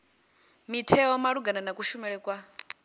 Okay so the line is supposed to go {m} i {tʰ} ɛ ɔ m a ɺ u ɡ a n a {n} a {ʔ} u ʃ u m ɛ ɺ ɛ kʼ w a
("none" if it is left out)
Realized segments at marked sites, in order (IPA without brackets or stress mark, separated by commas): m, tʰ, n, k